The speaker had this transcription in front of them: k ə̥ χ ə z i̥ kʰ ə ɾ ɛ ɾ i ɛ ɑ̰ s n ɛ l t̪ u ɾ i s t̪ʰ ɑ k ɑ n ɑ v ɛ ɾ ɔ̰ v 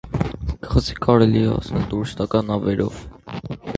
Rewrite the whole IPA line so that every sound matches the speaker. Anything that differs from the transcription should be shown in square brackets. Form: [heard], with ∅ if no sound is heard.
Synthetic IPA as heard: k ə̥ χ ə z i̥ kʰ [ɑ] ɾ ɛ [l] i ɛ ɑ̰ s n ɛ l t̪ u ɾ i s [t̪] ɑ k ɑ n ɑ v ɛ ɾ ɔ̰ v